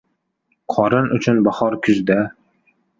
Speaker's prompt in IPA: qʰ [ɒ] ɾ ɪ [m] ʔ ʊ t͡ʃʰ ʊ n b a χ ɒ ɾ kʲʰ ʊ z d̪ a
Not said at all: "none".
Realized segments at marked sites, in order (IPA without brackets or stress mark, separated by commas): ɒ, n